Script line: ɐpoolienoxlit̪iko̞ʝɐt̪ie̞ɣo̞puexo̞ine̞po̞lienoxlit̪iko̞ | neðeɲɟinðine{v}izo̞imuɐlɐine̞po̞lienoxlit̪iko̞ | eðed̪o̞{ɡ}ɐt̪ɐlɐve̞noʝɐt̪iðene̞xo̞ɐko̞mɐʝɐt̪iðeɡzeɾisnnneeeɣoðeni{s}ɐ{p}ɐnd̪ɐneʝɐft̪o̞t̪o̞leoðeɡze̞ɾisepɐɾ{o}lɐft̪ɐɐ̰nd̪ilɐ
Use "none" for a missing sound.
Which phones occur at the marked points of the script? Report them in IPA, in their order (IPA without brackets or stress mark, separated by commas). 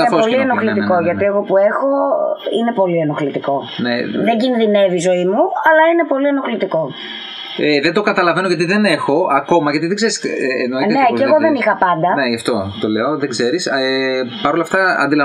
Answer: v, k, x, p, o